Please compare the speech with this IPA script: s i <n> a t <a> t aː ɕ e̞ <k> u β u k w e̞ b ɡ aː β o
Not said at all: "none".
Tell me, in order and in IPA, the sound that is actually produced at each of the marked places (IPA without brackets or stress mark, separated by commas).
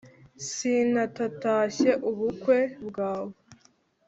n, a, ʔ